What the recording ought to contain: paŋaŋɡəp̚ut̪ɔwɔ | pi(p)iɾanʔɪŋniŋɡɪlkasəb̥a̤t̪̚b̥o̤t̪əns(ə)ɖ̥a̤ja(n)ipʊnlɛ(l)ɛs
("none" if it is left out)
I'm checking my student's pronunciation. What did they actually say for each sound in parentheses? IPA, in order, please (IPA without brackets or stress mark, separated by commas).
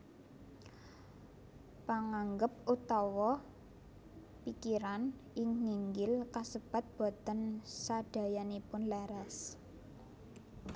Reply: k, a, n, ɾ